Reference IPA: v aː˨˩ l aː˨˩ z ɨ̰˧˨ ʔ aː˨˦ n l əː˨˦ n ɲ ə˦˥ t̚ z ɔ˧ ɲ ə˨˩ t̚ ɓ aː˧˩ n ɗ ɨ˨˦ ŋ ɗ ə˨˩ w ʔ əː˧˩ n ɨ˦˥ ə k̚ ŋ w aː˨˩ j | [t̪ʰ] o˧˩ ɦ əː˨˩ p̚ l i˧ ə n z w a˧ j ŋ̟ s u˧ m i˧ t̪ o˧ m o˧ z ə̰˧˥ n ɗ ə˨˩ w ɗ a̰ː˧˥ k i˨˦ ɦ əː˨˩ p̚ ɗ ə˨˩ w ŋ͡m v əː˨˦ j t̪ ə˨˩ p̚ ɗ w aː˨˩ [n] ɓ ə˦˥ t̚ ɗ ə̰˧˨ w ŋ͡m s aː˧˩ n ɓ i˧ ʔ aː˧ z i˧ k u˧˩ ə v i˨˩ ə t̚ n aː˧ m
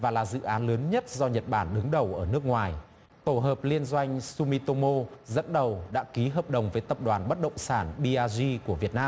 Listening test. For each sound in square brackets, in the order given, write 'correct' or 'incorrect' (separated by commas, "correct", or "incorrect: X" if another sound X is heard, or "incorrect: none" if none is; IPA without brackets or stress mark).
incorrect: t̪, correct